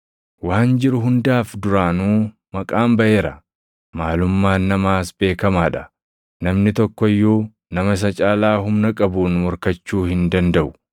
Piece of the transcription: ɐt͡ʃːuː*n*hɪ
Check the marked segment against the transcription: incorrect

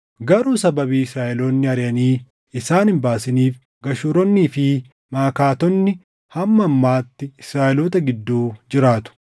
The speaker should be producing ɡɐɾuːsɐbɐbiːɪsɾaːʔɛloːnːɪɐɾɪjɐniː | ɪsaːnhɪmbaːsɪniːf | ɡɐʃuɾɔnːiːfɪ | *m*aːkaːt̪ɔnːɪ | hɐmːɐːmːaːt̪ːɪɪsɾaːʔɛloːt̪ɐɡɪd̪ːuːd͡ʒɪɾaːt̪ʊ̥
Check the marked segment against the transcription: correct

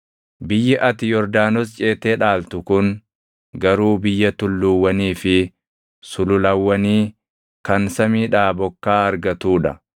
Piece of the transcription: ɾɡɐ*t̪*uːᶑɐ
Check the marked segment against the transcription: correct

